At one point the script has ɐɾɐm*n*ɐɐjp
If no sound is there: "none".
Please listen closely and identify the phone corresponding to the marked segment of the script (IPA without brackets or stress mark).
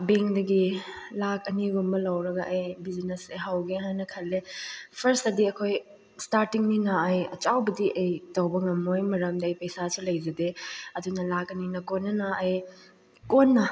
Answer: d